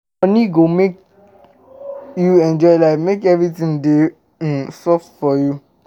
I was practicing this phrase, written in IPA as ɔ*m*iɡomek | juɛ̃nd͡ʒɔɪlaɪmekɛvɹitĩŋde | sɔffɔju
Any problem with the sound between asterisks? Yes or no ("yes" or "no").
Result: yes